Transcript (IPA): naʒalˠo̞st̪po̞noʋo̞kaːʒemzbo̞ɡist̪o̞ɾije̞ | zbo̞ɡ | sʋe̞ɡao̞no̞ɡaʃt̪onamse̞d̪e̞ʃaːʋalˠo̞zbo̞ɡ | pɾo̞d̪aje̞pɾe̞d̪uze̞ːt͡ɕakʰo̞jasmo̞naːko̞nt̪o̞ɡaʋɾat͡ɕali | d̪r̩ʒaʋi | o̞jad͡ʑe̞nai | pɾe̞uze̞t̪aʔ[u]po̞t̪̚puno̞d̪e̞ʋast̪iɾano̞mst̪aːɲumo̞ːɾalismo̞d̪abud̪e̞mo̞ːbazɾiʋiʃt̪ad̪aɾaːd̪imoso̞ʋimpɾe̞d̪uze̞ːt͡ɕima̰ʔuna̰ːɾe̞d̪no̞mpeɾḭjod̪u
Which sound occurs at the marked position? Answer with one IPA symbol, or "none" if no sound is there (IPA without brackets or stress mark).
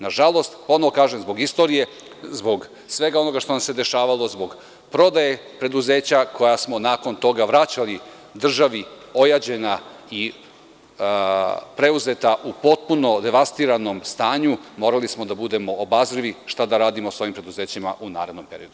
u